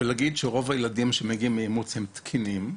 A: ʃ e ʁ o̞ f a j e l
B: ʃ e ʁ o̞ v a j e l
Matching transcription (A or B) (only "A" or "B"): B